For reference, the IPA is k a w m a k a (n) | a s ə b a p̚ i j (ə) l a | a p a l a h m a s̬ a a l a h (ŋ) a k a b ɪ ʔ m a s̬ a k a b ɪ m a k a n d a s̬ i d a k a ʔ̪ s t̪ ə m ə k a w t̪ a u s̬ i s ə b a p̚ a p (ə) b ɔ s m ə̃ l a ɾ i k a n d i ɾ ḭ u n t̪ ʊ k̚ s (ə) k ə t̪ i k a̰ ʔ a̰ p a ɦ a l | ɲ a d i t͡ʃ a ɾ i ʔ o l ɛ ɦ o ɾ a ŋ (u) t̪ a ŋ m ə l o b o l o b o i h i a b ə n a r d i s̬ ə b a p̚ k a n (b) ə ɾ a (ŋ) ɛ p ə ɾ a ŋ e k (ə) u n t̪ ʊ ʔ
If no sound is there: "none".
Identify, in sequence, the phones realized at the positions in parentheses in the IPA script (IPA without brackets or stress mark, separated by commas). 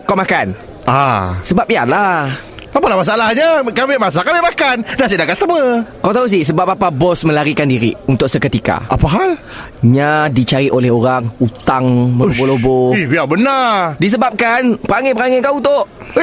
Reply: n, a, ɲ, a, ə, u, p, ŋ, a